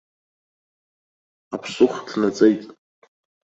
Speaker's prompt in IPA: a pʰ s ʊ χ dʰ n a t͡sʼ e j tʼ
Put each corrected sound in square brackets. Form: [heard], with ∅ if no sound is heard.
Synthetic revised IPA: a pʰ s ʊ χ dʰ n a t͡sʼ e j tʼ